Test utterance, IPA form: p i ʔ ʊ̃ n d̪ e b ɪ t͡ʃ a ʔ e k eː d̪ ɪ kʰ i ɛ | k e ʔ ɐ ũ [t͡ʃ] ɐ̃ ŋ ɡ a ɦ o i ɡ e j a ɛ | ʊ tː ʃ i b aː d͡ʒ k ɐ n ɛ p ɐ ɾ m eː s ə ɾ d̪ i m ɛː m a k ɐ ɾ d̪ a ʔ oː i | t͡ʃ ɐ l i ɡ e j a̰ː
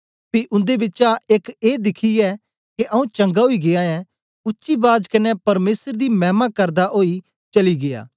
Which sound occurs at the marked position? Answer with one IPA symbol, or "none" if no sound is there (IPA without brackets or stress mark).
t͡ʃ